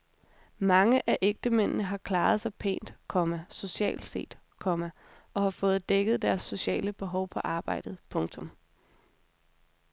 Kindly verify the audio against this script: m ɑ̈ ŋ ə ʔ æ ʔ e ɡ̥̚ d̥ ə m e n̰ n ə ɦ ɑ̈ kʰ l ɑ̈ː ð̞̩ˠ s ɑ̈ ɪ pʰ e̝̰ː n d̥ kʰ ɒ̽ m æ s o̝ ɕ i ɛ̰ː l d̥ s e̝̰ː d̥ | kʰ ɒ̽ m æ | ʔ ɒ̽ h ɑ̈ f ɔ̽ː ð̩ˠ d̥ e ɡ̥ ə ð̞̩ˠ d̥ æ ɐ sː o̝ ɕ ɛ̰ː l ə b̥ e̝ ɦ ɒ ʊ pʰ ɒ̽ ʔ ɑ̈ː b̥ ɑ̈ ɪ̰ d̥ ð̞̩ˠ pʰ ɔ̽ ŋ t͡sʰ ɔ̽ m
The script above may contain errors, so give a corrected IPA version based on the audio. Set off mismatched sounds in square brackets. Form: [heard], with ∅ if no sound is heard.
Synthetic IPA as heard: m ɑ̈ ŋ ə ʔ æ ʔ e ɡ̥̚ d̥ ə m e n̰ n ə ɦ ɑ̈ kʰ l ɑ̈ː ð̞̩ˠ s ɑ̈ ɪ pʰ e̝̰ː n d̥ kʰ ɒ̽ m æ s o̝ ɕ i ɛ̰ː l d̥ s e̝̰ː d̥ | kʰ ɒ̽ m æ | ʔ ɒ̽ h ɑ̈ f ɔ̽ː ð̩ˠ d̥ e ɡ̥ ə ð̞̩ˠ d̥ æ ɐ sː o̝ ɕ ɛ̰ː l ə b̥ e̝ ɦ ɒ ʊ pʰ ɒ̽ ʔ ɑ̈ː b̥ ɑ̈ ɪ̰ d̥ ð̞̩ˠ pʰ ɔ̽ ŋ t͡sʰ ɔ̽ m